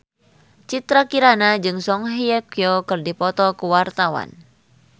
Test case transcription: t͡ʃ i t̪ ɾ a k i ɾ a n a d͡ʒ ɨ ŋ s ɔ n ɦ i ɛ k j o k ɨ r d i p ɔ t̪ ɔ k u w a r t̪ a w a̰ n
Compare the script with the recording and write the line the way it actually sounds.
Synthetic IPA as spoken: t͡ʃ i t̪ ɾ a k i ɾ a n a d͡ʒ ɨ ŋ s ɔ ŋ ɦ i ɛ k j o k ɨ r d i p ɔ t̪ ɔ k u w a r t̪ a w a̰ n